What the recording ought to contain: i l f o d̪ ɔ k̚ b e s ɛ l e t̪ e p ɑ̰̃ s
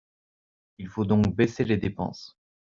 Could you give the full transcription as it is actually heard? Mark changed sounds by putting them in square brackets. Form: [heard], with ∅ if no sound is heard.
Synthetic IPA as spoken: i l f o d̪ [ɔ̃] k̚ b e s [e] l e [d̪] e p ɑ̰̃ s